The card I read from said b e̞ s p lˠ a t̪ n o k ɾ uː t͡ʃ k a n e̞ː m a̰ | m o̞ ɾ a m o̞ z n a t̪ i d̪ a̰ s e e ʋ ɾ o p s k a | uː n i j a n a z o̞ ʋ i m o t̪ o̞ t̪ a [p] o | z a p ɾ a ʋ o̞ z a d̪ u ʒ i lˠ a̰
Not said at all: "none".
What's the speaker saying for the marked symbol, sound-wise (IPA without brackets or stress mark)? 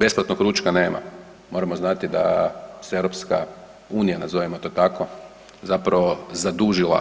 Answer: k